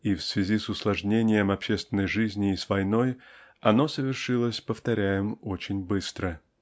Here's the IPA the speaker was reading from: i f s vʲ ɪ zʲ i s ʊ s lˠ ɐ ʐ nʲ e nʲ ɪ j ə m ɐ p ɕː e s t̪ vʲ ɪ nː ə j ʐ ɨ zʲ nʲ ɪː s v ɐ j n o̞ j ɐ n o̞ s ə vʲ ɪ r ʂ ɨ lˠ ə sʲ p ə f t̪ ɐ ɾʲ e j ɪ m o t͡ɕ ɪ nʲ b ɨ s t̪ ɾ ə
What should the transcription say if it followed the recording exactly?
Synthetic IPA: i f s vʲ ɪ zʲ i s ʊ s lˠ ɐ ʐ nʲ e nʲ ɪ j ə m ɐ p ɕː e s t̪ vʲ ɪ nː ə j ʐ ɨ zʲ nʲ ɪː s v ɐ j n o̞ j ɐ n o̞ s ə vʲ ɪ r ʂ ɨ lˠ ə sʲ p ə f t̪ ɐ ɾʲ æ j ɪ m o t͡ɕ ɪ nʲ b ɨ s t̪ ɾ ə